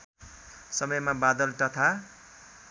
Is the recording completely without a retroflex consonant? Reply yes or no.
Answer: yes